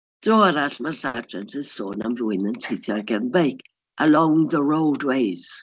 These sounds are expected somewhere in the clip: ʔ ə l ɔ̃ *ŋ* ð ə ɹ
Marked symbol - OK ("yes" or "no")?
yes